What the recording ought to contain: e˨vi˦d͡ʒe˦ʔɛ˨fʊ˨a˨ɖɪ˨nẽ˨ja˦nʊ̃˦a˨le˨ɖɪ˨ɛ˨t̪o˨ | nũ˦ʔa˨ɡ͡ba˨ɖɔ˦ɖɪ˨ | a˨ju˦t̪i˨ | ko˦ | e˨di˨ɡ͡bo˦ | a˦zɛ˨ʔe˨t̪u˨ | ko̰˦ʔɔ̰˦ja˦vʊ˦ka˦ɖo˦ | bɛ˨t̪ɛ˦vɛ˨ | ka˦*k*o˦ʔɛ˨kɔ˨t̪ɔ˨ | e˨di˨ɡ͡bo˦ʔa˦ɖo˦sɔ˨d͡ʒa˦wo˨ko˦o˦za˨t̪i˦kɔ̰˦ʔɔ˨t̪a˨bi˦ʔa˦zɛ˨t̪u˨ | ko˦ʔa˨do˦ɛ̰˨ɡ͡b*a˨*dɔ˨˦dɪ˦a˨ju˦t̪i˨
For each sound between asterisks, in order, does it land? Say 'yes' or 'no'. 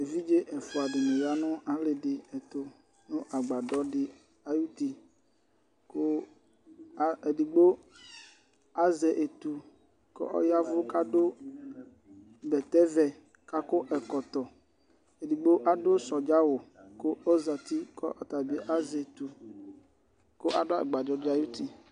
yes, yes

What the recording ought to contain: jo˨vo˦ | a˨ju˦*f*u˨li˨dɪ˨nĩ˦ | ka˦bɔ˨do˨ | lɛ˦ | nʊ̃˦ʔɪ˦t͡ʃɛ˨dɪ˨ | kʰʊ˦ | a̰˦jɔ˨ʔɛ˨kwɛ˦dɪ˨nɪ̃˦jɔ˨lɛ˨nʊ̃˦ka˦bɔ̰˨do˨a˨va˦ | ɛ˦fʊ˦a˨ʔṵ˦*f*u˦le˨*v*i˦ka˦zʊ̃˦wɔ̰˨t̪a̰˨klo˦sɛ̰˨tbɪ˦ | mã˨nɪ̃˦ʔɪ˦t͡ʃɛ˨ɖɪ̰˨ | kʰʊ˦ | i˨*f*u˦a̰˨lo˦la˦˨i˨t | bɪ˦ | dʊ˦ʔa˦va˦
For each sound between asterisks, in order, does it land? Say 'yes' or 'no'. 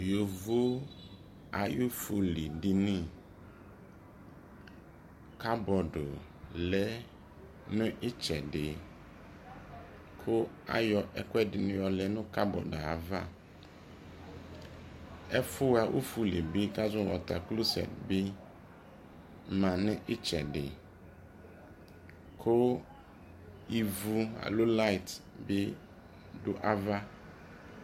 yes, yes, no, no

